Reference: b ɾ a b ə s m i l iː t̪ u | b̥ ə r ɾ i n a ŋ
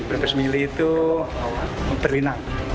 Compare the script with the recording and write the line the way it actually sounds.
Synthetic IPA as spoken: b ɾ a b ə s m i l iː t̪ u | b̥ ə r l i n a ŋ